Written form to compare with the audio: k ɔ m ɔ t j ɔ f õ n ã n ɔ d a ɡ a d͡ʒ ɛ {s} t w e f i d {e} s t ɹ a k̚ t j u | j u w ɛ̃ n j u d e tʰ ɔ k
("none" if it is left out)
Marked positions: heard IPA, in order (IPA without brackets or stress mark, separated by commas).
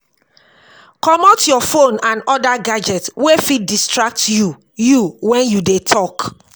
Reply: none, i